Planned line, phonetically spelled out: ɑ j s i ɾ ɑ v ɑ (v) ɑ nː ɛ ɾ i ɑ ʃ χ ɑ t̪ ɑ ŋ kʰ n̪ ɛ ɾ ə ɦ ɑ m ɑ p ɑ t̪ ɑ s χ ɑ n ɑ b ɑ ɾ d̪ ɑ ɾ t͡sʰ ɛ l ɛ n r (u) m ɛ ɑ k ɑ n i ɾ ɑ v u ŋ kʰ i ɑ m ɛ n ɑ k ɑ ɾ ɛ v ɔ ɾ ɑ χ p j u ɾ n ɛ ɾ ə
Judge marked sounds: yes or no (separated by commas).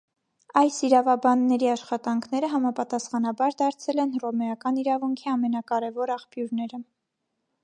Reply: no, no